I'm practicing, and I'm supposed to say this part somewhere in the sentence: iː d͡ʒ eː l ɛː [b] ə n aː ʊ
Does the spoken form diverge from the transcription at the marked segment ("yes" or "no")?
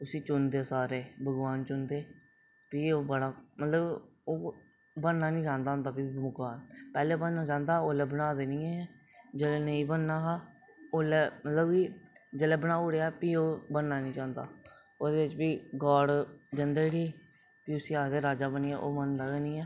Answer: no